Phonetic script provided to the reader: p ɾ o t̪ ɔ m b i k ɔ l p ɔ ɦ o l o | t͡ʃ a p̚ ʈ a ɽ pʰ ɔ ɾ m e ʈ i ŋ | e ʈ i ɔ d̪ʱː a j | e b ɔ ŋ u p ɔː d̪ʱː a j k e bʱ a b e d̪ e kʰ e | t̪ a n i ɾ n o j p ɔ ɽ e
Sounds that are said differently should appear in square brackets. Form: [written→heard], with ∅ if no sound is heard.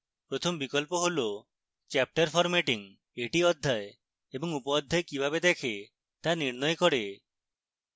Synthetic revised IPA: p ɾ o [t̪→t̪ʰ] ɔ m b i k ɔ l p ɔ ɦ o l o | t͡ʃ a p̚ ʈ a [ɽ→ɾ] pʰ ɔ ɾ m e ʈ i ŋ | e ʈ i ɔ d̪ʱː a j | e b ɔ ŋ u p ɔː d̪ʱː a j k [e→i] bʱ a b e d̪ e kʰ e | t̪ a n i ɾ n [o→ɔ] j [p→k] ɔ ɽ e

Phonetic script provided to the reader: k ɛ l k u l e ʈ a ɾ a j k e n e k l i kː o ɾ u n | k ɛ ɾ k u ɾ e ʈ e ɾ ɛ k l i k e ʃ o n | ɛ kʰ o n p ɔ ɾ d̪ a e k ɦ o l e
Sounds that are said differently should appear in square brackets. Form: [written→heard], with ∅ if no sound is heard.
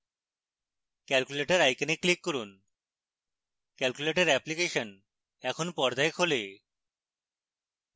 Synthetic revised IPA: k ɛ l k u l e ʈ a ɾ a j k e n e k l i kː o ɾ u n | k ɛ [ɾ→l] k u [ɾ→l] e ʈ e ɾ ɛ [k→p] l i k e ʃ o n | ɛ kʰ o n p ɔ ɾ d̪ a e k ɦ o l e

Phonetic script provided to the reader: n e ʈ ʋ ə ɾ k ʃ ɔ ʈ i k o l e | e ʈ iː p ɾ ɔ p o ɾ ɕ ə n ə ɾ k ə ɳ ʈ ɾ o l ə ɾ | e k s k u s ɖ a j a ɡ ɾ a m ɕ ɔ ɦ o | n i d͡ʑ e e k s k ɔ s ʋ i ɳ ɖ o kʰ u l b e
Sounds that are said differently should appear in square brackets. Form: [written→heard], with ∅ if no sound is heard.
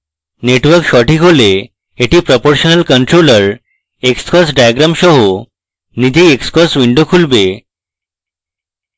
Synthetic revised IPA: n e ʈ ʋ ə ɾ k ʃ ɔ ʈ i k o l e | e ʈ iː p ɾ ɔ p o ɾ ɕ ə n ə [ɾ→l] k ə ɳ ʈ ɾ o l ə ɾ | e k s k [u→ɔ] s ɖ a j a ɡ ɾ a m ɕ ɔ ɦ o | n i d͡ʑ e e k s k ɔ s ʋ i ɳ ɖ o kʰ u l b e

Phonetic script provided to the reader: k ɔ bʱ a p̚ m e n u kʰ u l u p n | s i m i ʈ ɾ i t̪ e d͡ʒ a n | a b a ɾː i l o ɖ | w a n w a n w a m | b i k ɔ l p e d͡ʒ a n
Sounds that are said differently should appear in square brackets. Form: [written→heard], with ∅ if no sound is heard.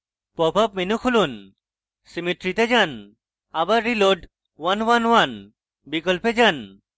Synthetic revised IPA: [k→p] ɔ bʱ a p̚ m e n u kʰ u l u [p→∅] n | s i m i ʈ ɾ i t̪ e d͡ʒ a n | a b a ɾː i l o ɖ | w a n w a n w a [m→n] | b i k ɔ l p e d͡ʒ a n

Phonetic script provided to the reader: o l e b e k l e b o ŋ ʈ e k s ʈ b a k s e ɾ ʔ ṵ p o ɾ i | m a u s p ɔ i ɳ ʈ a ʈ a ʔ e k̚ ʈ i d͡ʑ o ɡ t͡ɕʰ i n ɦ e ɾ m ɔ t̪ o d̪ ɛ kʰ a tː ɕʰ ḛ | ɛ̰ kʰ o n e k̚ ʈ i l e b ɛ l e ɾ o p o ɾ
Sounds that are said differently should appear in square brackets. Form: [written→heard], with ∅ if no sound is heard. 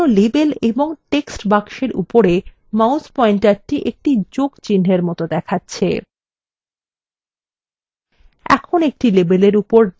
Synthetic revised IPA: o l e b e [k→∅] l e b o ŋ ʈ e k s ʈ b a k [s→ʃ] e ɾ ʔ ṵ p o ɾ [i→e] | m a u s p ɔ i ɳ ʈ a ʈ [a→i] ʔ e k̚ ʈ i d͡ʑ o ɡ [t͡ɕʰ→t͡ɕ] i n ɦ e ɾ m ɔ t̪ o d̪ ɛ kʰ a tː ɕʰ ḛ | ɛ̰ kʰ o n e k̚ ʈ i l e b [ɛ→e] l e ɾ [o→u] p o ɾ

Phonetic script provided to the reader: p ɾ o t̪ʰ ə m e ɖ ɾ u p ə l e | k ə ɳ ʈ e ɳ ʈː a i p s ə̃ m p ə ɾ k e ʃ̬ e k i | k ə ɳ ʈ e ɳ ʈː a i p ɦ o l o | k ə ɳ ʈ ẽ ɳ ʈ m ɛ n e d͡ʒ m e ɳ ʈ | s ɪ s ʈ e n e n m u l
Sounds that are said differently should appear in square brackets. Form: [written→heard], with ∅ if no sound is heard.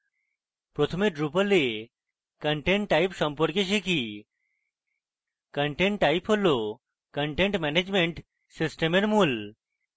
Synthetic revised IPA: p ɾ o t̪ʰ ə m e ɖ ɾ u p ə l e | k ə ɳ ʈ e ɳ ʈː a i p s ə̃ m p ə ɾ k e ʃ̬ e k i | k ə ɳ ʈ e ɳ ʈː a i p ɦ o l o | k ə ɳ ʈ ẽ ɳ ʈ m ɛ n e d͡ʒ m e ɳ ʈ | s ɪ s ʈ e [n→m] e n m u l

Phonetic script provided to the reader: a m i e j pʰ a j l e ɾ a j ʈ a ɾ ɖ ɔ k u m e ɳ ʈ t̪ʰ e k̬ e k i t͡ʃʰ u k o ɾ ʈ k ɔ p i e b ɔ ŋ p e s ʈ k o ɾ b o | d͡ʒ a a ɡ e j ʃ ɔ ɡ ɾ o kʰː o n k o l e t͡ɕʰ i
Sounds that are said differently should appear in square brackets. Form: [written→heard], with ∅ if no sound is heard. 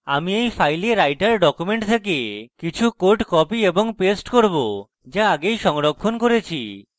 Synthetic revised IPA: a m i e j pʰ a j l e ɾ a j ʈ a ɾ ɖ ɔ k u m e ɳ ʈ t̪ʰ e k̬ e k i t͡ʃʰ u k o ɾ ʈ k ɔ p i e b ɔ ŋ p e s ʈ k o ɾ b o | d͡ʒ a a ɡ e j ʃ ɔ [ɡ→ŋ] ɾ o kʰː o n k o [l→ɾ] e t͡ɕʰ i

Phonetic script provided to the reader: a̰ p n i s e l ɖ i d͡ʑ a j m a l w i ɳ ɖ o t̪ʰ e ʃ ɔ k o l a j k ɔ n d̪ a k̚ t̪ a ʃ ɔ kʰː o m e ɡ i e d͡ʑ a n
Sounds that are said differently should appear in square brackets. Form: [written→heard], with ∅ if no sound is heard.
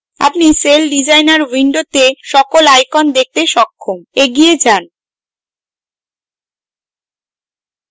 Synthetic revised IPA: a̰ p n i s e l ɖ i d͡ʑ a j [m→n] a [l→ɾ] w i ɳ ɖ o [t̪ʰ→t̪] e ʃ ɔ k o l a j k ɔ n d̪ [a→e] k̚ t̪ [a→e] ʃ ɔ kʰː o m e ɡ i e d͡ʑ a n

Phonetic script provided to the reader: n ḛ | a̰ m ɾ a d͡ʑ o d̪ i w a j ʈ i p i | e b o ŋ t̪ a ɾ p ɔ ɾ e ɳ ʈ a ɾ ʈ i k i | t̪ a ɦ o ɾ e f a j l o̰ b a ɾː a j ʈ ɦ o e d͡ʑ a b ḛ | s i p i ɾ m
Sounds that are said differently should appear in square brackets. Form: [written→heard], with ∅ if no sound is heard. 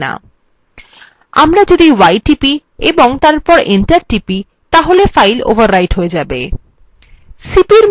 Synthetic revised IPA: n [ḛ→a̰] | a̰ m ɾ a d͡ʑ o d̪ i w a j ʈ i p i | e b o ŋ t̪ a ɾ p ɔ ɾ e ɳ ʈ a ɾ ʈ i [k→p] i | t̪ a ɦ o [ɾ→l] e f a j l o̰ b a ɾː a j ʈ ɦ o e d͡ʑ a b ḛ | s i p i ɾ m

